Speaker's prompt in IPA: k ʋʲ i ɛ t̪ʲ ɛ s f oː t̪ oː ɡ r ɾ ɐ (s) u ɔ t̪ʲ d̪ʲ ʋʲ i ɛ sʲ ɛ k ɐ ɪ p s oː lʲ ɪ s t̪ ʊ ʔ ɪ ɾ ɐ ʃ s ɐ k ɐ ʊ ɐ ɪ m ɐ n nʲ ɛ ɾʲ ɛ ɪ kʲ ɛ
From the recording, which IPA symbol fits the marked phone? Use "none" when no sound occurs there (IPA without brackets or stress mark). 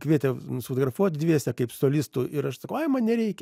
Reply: f